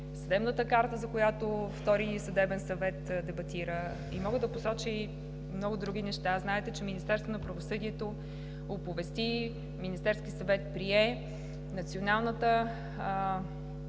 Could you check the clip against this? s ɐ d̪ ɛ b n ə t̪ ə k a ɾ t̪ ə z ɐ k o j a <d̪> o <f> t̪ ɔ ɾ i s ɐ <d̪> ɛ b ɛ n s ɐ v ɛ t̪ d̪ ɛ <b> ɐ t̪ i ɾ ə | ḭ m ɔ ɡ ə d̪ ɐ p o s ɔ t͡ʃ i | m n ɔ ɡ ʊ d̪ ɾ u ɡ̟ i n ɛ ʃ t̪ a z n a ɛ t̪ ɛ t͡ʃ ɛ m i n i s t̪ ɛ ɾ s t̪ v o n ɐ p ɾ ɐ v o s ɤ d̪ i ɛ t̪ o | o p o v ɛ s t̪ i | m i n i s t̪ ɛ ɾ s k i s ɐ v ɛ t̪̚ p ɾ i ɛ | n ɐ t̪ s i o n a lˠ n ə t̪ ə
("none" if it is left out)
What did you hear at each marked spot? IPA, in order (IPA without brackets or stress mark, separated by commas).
t̪, f, d̪, b